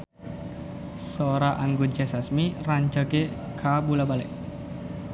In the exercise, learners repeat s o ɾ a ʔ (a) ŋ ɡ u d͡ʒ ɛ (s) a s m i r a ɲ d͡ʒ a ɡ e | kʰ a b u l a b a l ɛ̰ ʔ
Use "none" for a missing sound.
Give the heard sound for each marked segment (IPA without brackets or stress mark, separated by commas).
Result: a, s